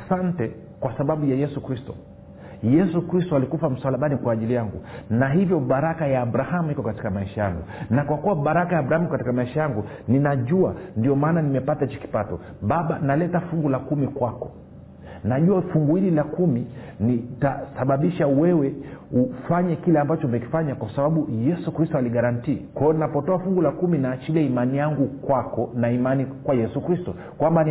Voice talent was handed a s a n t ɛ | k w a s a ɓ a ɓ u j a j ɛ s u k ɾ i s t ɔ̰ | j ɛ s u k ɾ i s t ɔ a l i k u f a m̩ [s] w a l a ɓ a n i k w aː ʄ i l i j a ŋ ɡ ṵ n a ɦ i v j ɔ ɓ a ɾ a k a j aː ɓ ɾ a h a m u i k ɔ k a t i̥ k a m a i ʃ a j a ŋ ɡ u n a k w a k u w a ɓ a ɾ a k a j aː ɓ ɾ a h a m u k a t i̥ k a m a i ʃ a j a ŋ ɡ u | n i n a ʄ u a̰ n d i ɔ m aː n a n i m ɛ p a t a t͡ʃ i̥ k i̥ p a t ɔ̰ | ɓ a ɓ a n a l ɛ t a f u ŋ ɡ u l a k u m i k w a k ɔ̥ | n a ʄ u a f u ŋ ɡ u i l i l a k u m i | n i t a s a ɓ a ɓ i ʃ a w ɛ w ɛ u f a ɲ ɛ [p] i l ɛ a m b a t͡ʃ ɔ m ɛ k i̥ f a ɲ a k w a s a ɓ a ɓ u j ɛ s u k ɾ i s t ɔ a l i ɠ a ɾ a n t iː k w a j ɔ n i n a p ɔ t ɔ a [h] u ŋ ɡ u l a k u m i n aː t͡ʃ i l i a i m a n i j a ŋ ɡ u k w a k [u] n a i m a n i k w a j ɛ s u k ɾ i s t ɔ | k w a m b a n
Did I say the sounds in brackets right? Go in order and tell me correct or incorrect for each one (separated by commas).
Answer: correct, incorrect, incorrect, incorrect